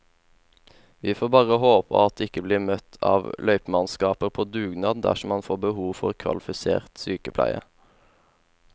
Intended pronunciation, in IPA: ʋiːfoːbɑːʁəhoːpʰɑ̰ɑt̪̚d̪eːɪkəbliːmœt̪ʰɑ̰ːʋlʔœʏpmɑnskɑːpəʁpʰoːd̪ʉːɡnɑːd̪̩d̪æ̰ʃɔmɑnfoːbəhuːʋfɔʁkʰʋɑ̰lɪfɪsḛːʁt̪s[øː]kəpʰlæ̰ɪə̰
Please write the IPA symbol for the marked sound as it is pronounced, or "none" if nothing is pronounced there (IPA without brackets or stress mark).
yː